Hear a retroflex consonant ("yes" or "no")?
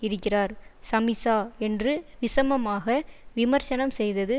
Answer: no